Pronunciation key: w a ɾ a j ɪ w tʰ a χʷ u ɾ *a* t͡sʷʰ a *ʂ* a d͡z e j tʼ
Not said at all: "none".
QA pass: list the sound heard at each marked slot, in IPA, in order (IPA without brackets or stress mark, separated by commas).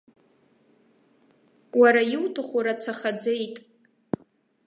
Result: a, χ